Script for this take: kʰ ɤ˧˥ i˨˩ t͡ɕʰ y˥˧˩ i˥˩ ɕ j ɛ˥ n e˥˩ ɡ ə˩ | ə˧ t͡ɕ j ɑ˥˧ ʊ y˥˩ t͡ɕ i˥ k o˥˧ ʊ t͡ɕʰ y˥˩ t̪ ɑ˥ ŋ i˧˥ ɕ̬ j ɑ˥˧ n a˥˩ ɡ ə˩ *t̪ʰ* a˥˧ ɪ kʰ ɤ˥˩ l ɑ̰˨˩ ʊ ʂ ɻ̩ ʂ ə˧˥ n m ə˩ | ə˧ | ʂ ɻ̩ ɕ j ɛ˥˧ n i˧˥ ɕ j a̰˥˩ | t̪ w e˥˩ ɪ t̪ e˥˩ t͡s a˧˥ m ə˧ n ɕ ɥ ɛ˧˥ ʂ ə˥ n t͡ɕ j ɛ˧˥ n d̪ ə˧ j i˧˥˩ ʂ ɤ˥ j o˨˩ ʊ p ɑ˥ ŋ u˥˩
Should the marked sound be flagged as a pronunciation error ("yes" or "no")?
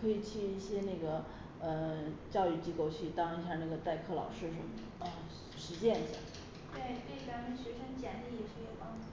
yes